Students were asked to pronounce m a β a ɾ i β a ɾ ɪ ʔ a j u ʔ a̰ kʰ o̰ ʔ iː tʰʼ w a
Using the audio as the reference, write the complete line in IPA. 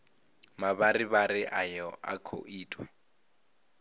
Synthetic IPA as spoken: m a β a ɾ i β a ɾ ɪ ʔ a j ɔ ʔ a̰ kʰ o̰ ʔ iː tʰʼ w a